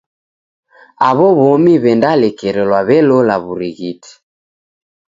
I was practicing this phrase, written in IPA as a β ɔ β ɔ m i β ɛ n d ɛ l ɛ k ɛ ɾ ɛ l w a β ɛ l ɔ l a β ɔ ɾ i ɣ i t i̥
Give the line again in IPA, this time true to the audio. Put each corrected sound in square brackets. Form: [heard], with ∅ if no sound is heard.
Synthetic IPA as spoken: a β ɔ β ɔ m i β ɛ n d [a] l ɛ k ɛ ɾ ɛ l w a β ɛ l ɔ l a β [u] ɾ i ɣ i t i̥

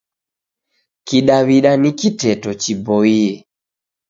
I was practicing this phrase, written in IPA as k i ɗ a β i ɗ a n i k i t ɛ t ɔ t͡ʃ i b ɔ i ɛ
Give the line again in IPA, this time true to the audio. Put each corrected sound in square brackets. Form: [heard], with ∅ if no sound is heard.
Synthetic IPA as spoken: k i ɗ a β i ɗ a n i k i t ɛ t ɔ t͡ʃ i b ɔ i ɛ

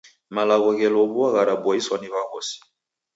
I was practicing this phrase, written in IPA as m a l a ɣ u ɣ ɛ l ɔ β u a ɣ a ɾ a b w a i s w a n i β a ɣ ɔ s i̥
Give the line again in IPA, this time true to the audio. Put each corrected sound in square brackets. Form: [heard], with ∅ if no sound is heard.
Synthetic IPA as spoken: m a l a ɣ [ɔ] ɣ ɛ l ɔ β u a ɣ a ɾ a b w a i s w a n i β a ɣ ɔ s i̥

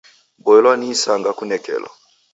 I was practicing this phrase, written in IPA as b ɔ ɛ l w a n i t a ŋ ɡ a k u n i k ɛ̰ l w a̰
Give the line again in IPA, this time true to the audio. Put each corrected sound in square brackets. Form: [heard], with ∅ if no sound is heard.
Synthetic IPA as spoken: b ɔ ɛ l w a n i [s] a ŋ ɡ a k u n [ɛ] k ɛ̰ l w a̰

